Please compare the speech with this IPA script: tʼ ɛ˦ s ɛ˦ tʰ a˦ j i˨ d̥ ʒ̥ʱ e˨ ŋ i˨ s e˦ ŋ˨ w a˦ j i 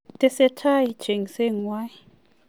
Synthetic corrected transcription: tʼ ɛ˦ s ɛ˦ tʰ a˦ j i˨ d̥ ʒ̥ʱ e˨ ŋ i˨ s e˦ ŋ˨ w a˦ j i